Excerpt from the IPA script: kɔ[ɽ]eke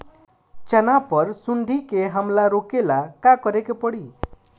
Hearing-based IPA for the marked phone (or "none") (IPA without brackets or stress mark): ɾ